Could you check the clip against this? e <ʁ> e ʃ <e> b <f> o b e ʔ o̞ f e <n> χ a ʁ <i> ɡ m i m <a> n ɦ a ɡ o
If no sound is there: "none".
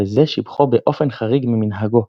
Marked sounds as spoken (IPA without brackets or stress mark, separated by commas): z, i, χ, n, i, i